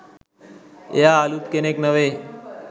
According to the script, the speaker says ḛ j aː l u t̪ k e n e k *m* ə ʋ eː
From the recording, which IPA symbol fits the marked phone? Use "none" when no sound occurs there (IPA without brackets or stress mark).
n